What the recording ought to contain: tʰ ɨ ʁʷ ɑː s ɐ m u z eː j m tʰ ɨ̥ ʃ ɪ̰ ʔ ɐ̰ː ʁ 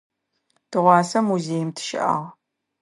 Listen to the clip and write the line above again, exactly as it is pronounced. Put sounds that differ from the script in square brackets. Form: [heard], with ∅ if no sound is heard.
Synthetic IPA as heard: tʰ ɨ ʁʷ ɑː s ɐ m u z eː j m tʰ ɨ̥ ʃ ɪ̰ ʔ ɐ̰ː ʁ